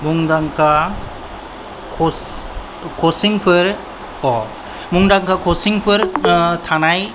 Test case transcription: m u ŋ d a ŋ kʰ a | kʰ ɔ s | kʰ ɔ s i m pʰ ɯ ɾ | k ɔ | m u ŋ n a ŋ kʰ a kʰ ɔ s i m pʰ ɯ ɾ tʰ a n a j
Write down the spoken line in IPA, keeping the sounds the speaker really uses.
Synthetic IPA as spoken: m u ŋ d a ŋ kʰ a | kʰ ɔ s | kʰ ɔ s i ŋ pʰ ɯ ɾ | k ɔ | m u ŋ d a ŋ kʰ a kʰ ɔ s i ŋ pʰ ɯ ɾ tʰ a n a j